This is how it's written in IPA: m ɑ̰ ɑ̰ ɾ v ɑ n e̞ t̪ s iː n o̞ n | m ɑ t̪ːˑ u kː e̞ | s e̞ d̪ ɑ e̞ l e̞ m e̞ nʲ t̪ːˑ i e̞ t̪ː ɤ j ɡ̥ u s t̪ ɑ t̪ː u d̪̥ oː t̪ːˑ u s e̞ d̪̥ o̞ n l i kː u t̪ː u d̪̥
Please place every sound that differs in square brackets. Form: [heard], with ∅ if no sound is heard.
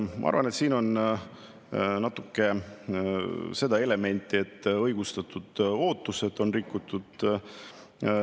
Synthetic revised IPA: m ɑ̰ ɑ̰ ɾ v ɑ n e̞ t̪ s iː n o̞ n | [n] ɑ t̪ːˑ u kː e̞ | s e̞ d̪ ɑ e̞ l e̞ m e̞ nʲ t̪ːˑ i e̞ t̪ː ɤ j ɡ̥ u s t̪ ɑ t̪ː u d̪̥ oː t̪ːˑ u s e̞ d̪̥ o̞ n [r] i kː u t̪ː u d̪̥

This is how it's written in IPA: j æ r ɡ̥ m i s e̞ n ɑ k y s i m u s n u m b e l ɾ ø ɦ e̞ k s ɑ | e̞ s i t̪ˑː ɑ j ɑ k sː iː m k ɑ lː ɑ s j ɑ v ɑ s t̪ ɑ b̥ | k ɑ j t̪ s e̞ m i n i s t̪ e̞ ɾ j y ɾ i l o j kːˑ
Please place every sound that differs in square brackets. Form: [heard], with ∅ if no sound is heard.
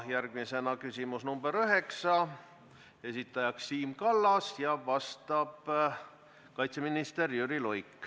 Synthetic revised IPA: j æ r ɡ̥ m i s e̞ n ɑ k y s i m u s n u m b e [∅] ɾ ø ɦ e̞ k s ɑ | e̞ s i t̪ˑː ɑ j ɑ k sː iː m k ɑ lː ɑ s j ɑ v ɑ s t̪ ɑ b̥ | k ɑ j t̪ s e̞ m i n i s t̪ e̞ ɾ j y ɾ i l o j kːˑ

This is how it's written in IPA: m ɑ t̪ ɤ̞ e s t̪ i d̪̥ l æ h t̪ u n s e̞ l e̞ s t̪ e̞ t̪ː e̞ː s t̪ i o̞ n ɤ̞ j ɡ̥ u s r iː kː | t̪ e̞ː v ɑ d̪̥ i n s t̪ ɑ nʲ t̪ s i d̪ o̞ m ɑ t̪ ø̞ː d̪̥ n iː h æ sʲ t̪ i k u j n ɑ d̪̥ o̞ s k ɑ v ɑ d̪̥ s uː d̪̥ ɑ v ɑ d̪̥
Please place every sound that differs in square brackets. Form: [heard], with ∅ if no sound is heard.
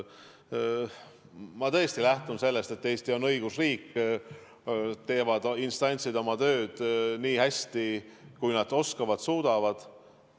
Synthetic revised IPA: m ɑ t̪ ɤ̞ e s t̪ i [∅] l æ h t̪ u n s e̞ [lː] e̞ s t̪ e̞ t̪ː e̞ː s t̪ i o̞ n ɤ̞ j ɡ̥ u s r iː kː | t̪ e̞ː v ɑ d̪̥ i n s t̪ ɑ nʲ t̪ s i d̪ o̞ m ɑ t̪ ø̞ː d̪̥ n iː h æ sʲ t̪ i k u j n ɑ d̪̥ o̞ s k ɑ v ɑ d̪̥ s uː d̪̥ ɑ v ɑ d̪̥

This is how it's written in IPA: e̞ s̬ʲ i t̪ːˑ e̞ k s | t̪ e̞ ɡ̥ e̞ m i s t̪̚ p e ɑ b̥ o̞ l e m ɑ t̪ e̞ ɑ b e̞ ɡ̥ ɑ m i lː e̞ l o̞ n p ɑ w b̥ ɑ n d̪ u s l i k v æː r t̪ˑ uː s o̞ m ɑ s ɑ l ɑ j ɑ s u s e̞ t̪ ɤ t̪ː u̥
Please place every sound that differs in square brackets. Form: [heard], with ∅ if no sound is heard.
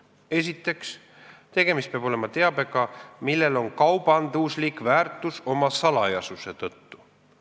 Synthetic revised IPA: e̞ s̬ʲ i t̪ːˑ e̞ k s | t̪ e̞ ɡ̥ e̞ m i s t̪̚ p e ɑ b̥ o̞ l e m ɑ t̪ e̞ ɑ b e̞ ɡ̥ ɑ m i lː e̞ l o̞ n [k] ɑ w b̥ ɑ n d̪ u s l i k v æː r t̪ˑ [u] s o̞ m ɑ s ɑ l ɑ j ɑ s u s e̞ t̪ ɤ t̪ː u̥

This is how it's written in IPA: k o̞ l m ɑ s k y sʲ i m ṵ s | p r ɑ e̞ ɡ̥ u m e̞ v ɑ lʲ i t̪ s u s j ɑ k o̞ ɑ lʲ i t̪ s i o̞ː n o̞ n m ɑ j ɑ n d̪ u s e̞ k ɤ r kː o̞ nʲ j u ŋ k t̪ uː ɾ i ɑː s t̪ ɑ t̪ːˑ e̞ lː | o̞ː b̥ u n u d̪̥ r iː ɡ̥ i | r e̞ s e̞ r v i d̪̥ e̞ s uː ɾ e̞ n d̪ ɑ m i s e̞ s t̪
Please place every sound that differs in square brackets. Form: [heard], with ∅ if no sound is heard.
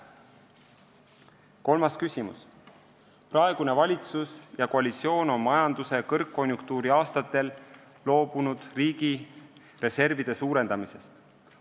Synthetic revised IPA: k o̞ l m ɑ s k y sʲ i m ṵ s | p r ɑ e̞ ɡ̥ u [n] e̞ v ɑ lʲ i t̪ s u s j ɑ k o̞ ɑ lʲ i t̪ s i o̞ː n o̞ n m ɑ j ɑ n d̪ u s e̞ k ɤ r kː o̞ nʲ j u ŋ k t̪ uː ɾ i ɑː s t̪ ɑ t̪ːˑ e̞ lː | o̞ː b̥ u n u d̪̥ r iː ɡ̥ i | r e̞ s e̞ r v i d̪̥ e̞ s uː ɾ e̞ n d̪ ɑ m i s e̞ s t̪

